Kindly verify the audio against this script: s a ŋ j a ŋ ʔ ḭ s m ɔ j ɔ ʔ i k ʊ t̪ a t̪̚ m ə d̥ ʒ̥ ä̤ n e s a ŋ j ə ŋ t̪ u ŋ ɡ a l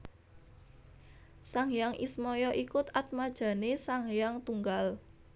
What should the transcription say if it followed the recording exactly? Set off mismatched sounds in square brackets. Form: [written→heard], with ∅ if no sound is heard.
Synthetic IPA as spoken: s a ŋ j a ŋ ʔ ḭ s m ɔ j ɔ ʔ i k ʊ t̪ a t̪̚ m [ə→a] d̥ ʒ̥ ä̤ n e s a ŋ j [ə→a] ŋ t̪ u ŋ ɡ a l